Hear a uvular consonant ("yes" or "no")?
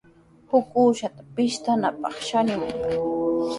yes